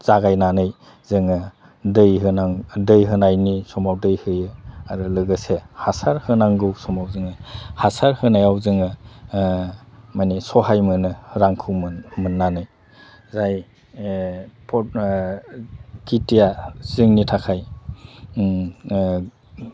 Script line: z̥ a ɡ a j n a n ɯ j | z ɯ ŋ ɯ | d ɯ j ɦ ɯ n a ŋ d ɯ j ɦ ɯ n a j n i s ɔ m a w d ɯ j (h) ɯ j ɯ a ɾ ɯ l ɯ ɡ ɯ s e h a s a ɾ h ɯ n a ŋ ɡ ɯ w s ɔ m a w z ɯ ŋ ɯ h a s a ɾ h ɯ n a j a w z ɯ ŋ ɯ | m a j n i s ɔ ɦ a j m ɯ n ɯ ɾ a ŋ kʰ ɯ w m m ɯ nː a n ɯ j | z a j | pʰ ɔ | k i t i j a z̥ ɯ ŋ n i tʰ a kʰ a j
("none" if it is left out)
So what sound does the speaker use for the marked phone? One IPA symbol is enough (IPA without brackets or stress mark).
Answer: h